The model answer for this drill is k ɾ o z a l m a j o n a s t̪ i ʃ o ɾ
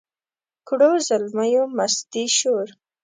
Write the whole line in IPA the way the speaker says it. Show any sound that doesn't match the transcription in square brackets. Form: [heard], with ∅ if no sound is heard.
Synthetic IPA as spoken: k [ɽ] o z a l m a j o [m] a s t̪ i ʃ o ɾ